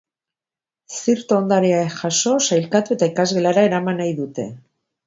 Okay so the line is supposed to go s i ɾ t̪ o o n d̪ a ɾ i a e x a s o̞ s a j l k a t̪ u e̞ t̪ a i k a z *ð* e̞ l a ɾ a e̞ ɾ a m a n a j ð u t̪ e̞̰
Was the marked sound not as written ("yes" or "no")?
yes